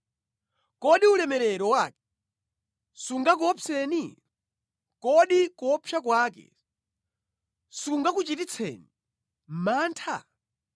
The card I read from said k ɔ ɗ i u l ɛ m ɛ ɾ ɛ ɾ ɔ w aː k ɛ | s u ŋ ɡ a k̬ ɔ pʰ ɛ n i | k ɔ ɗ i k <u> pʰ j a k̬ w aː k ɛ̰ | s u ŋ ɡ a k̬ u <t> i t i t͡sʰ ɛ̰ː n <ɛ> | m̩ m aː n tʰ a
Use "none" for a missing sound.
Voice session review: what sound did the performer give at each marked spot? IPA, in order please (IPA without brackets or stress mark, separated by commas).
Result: ɔ, t͡ʃ, i